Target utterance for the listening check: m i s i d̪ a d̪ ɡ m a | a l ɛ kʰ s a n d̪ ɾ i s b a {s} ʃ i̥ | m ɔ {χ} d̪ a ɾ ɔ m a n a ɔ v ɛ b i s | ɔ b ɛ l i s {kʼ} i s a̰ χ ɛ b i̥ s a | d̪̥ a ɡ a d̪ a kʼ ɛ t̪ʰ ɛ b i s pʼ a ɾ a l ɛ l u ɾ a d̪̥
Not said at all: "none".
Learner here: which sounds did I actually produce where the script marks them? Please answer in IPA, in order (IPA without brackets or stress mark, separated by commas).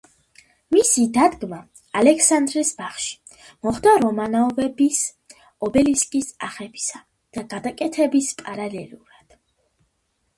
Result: χ, χ, kʼ